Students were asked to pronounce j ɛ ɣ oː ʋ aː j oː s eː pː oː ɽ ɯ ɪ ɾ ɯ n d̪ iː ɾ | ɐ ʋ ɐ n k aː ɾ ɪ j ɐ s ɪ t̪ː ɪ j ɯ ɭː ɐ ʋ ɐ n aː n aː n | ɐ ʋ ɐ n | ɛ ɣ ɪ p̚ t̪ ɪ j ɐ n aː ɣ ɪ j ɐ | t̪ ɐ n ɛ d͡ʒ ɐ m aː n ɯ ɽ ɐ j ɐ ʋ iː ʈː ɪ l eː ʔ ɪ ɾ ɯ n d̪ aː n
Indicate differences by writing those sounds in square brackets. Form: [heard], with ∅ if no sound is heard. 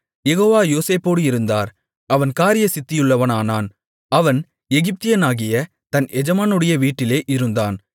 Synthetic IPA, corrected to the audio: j ɛ ɣ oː ʋ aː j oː s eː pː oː ɽ ɯ ɪ ɾ ɯ n d̪ [aː] ɾ | ɐ ʋ ɐ n k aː ɾ ɪ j ɐ s ɪ t̪ː ɪ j ɯ ɭː ɐ ʋ ɐ n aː n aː n | ɐ ʋ ɐ n | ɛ ɣ ɪ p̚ t̪ ɪ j ɐ n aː ɣ ɪ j ɐ | t̪ ɐ n ɛ d͡ʒ ɐ m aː n ɯ ɽ ɐ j ɐ ʋ iː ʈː ɪ l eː ʔ ɪ ɾ ɯ n d̪ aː n